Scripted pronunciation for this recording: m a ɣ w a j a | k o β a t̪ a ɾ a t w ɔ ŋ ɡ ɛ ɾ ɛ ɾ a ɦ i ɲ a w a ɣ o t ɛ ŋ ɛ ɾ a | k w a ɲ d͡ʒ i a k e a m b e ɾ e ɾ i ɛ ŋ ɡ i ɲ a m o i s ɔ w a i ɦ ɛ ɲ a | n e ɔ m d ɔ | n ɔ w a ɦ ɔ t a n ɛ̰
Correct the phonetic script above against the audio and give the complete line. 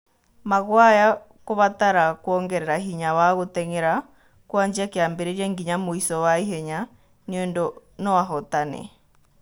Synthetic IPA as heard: m a ɣ w a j a | k o β a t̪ a ɾ a k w ɔ ŋ ɡ ɛ ɾ ɛ ɾ a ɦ i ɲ a w a ɣ o t ɛ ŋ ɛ ɾ a | k w a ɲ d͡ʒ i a k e a m b e ɾ e ɾ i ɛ ŋ ɡ i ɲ a m o i s ɔ w a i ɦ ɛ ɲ a | n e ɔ n d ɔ | n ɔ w a ɦ ɔ t a n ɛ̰

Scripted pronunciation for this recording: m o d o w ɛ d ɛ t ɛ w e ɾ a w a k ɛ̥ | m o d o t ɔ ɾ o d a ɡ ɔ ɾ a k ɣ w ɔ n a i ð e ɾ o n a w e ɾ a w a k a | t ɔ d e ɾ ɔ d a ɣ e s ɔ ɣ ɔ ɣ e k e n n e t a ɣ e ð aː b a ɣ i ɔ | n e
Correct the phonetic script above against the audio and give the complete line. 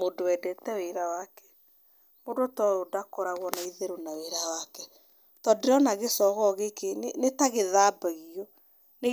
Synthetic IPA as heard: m o d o w ɛ d ɛ t ɛ w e ɾ a w a k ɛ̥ | m o d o t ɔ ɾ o d a k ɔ ɾ a ɣ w ɔ n a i ð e ɾ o n a w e ɾ a w a k ɛ | t ɔ d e ɾ ɔ n a ɣ e s ɔ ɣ ɔ ɣ e k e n n e t a ɣ e ð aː b a ɣ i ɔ | n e

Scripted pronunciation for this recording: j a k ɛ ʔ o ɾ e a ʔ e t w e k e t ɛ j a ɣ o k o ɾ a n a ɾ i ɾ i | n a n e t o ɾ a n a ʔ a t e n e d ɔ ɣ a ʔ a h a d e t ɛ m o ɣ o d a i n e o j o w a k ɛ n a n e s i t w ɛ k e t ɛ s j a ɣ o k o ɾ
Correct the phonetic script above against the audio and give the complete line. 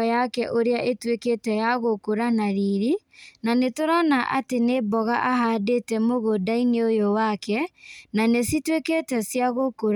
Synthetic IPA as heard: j a k ɛ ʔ o ɾ e a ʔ e t w e k e t ɛ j a ɣ o k o ɾ a n a ɾ i ɾ i | n a n e t o ɾ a n a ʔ a t e n e b ɔ ɣ a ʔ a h a d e t ɛ m o ɣ o d a i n e o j o w a k ɛ n a n e s i t w e k e t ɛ s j a ɣ o k o ɾ

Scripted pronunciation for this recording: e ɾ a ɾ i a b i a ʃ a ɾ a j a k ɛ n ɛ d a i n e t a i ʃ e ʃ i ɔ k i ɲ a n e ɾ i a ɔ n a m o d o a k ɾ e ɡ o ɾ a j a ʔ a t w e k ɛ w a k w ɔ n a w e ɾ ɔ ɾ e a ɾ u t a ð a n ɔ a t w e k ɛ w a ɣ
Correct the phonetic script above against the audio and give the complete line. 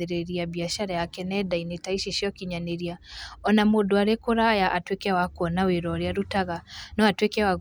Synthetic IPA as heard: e ɾ e ɾ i a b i a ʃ a ɾ a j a k ɛ n ɛ d a i n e t a i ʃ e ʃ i ɔ k i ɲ a n e ɾ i a ɔ n a m o d o a ɾ e k o ɾ a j a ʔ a t w e k ɛ w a k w ɔ n a w e ɾ ɔ ɾ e a ɾ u t a ɣ a n ɔ a t w e k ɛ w a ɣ

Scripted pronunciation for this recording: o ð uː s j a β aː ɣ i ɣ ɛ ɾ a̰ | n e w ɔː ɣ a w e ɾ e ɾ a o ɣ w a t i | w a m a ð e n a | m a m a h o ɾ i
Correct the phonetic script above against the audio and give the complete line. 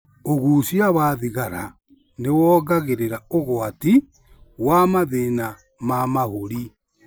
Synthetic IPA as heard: o ɣ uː s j a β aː ð i ɣ a ɾ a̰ | n e w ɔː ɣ a ɣ e ɾ e ɾ a o ɣ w a t i | w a m a ð e n a | m a m a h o ɾ i

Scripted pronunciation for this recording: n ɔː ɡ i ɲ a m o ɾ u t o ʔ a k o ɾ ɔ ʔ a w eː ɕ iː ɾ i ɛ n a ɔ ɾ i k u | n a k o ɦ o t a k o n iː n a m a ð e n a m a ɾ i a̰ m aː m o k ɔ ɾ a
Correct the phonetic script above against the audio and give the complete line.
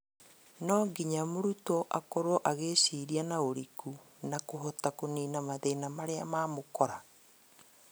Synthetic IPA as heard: n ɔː ɡ i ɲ a m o ɾ u t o ʔ a k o ɾ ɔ ʔ a ɣ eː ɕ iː ɾ i a n a o ɾ i k u | n a k o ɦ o t a k o n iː n a m a ð e n a m a ɾ e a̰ m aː m o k ɔ ɾ a

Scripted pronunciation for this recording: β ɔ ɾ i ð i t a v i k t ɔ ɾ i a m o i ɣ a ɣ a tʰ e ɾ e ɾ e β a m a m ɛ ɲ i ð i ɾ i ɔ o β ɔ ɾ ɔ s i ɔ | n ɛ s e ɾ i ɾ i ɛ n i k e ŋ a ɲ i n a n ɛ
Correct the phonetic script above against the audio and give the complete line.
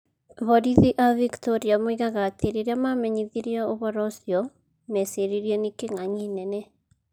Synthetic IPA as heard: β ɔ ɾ i ð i ʔ a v i k t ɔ ɾ i a m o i ɣ a ɣ a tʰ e ɾ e ɾ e a m a m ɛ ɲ i ð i ɾ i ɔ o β ɔ ɾ ɔ s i ɔ | m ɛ s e ɾ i ɾ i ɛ n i k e ŋ a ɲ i n ɛ n ɛ

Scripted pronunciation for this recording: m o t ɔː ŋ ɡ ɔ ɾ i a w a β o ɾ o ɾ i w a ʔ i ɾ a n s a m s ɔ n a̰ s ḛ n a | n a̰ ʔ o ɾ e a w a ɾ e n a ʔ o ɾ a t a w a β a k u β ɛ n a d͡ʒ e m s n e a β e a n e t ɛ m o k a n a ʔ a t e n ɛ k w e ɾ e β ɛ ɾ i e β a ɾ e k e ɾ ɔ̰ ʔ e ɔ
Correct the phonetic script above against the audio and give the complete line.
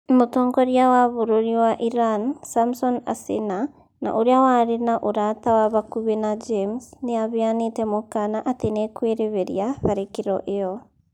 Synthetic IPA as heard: m o t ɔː ŋ ɡ ɔ ɾ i a w a β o ɾ o ɾ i w a ʔ i ɾ a n s a m s ɔ n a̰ s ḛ n a | n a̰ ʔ o ɾ e a w a ɾ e n a ʔ o ɾ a t a w a β a k u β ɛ n a d͡ʒ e m s n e a β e a n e t ɛ m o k a n a ʔ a t e n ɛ k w e ɾ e β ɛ ɾ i a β a ɾ e k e ɾ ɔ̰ ʔ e ɔ

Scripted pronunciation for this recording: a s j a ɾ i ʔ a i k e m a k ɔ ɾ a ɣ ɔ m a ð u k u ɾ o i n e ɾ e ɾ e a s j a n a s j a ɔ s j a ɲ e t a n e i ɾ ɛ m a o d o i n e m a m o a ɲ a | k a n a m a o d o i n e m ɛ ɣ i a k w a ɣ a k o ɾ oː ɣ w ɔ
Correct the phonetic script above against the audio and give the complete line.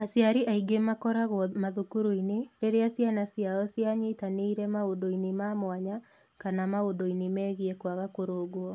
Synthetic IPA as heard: a s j a ɾ i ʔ a i ɡ e m a k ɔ ɾ a ɣ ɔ m a ð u k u ɾ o i n e ɾ e ɾ e a s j a n a s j a ɔ s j a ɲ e t a n e i ɾ ɛ m a o d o i n e m a m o a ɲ a | k a n a m a o d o i n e m ɛ ɣ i ɛ k w a ɣ a k o ɾ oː ɣ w ɔ

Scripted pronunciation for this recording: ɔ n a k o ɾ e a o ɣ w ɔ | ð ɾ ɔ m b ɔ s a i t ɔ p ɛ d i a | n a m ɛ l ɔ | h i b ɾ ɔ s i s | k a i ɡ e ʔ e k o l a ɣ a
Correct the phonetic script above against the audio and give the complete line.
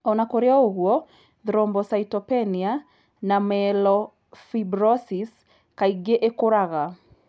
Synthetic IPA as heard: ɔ n a k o ɾ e a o ɣ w ɔ | ð ɾ ɔ m b ɔ s a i t ɔ p ɛ n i a | n a m ɛ l ɔ | f i b ɾ ɔ s i s | k a i ɡ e ʔ e k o ɾ a ɣ a

